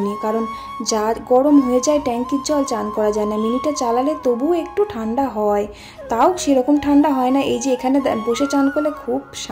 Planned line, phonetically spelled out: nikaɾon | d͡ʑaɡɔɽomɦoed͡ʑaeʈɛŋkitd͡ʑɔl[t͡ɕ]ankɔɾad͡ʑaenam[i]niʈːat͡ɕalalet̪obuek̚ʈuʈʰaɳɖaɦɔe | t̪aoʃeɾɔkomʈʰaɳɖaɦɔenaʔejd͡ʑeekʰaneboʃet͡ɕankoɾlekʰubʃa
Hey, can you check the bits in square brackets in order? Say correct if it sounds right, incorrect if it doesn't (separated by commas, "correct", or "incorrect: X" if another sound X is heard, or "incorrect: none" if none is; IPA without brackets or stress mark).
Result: correct, correct